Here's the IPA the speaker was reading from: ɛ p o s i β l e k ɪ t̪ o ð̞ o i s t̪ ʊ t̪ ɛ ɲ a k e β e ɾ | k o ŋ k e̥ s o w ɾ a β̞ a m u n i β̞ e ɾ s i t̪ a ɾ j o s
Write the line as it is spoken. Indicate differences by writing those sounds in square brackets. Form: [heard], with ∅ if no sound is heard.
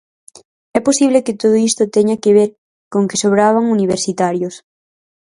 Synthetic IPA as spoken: ɛ p o s i β l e k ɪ t̪ o ð̞ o i s t̪ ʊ t̪ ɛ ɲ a k e β e ɾ | k o ŋ k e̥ s o [β] ɾ a β̞ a [ŋ] u n i β̞ e ɾ s i t̪ a ɾ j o s